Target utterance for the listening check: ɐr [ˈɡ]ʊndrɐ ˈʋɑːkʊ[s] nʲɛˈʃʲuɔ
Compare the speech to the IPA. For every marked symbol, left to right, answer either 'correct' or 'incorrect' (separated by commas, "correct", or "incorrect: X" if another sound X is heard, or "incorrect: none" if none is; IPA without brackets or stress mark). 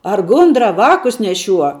correct, correct